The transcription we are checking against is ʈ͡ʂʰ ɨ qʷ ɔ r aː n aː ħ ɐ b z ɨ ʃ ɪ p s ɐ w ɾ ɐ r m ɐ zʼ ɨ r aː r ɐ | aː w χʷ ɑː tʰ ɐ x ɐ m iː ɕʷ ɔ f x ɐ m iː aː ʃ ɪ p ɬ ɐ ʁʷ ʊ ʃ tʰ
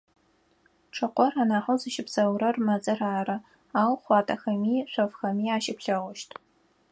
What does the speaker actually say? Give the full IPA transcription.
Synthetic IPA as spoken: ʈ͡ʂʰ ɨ qʷ ɔ r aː n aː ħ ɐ w z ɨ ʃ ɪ p s ɐ w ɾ ɐ r m ɐ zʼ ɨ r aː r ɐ | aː w χʷ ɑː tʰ ɐ x ɐ m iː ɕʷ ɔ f x ɐ m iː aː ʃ ɪ p ɬ ɐ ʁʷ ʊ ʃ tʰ